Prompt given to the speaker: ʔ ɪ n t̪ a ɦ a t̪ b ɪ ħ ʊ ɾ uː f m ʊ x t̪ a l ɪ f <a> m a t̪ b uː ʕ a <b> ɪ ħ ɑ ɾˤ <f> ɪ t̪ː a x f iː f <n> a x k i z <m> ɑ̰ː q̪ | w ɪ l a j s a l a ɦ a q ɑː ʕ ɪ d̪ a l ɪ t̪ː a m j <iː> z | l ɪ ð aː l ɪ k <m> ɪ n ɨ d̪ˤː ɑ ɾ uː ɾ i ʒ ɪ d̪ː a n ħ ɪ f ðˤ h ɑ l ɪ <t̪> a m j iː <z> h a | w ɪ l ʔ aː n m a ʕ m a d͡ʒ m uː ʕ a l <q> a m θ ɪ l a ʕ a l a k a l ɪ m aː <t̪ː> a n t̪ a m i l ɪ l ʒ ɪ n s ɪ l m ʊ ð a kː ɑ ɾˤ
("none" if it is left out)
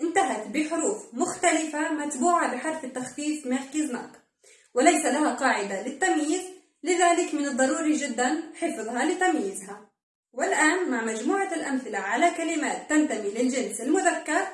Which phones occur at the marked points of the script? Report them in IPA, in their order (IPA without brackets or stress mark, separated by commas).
a, b, f, m, n, iː, m, t̪, z, ʔ, t̪ː